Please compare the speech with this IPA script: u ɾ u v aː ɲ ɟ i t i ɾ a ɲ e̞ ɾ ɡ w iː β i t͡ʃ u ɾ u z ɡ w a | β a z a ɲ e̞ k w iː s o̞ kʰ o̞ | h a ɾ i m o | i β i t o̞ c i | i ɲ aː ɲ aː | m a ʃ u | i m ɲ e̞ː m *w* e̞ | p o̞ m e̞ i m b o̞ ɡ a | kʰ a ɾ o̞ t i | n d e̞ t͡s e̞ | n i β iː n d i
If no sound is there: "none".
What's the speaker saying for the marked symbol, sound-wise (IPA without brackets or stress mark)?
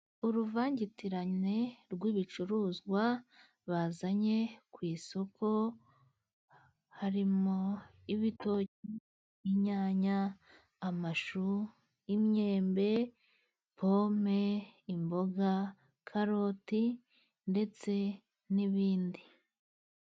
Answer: b